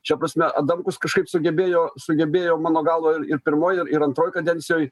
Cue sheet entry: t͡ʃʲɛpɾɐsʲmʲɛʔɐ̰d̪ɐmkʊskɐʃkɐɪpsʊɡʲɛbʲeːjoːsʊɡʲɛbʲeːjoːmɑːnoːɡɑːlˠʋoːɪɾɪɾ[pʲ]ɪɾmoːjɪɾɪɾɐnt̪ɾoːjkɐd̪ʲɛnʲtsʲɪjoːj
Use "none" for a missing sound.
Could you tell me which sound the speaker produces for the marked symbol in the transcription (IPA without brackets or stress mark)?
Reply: pʲ